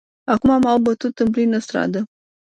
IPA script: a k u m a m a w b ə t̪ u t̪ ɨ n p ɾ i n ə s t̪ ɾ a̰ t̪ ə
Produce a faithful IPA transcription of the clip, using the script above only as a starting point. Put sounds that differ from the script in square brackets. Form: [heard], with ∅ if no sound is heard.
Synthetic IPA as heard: a k u m a m a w b ə t̪ u t̪ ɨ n p [l] i n ə s t̪ ɾ a̰ [d̪] ə